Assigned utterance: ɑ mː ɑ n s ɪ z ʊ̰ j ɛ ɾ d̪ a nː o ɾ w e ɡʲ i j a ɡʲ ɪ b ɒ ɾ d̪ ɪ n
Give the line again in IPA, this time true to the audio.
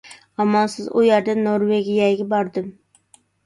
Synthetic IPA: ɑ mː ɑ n s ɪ z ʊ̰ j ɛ ɾ d̪ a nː o ɾ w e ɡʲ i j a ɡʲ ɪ b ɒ ɾ d̪ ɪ m